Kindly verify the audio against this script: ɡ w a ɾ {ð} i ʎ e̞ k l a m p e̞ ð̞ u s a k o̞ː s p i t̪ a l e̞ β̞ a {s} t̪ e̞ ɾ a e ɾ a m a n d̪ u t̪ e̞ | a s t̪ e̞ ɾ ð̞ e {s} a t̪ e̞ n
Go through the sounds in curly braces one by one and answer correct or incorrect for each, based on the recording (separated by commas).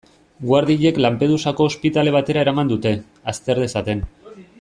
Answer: correct, incorrect, correct